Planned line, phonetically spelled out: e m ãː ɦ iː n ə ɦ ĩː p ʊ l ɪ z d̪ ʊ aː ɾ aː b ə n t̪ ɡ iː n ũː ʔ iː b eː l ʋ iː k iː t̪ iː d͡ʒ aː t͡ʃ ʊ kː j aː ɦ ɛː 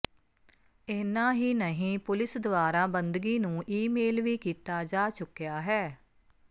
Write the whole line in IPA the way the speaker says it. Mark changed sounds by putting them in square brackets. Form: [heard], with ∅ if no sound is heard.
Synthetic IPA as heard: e [n] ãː ɦ iː n ə ɦ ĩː p ʊ l ɪ [s] d̪ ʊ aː ɾ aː b ə n [d̪] ɡ iː n ũː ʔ iː [m] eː l ʋ iː k iː t̪ [aː] d͡ʒ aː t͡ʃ ʊ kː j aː ɦ ɛː